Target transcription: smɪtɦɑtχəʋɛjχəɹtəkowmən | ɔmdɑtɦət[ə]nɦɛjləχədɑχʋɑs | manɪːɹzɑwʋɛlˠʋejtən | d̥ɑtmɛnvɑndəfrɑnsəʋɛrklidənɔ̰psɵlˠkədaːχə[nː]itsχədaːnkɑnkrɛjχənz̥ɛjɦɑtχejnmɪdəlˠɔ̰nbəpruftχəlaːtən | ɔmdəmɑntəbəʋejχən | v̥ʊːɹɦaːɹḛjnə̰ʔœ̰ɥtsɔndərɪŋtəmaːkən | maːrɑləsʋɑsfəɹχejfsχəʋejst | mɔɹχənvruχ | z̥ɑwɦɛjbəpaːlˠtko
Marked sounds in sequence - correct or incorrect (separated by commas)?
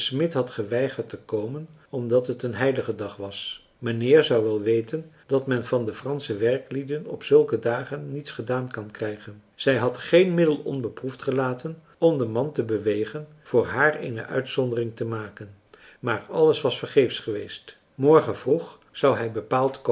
correct, correct